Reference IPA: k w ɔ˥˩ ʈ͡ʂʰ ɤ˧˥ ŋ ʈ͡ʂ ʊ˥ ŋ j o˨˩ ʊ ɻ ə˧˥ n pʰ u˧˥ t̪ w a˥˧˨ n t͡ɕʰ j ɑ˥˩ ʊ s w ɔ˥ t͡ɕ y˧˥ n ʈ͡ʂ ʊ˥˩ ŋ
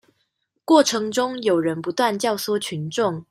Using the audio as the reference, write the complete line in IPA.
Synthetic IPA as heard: k w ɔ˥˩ ʈ͡ʂʰ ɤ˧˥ ŋ ʈ͡ʂ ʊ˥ ŋ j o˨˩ ʊ ɻ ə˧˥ n p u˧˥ t̪ w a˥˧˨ n t͡ɕ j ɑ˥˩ ʊ s w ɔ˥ t͡ɕʰ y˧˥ n ʈ͡ʂ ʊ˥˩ ŋ